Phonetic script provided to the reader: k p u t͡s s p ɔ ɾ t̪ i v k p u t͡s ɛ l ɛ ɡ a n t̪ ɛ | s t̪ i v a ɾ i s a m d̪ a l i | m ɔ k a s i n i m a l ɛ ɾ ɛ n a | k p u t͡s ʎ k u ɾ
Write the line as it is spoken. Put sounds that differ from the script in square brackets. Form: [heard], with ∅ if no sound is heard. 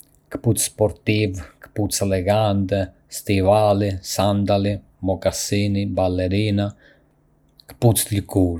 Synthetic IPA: k p u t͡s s p ɔ ɾ t̪ i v k p u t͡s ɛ l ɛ ɡ a n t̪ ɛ | s t̪ i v a [l] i s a [n] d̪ a l i | m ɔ k a s i n i [b] a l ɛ ɾ [i] n a | k p u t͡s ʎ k u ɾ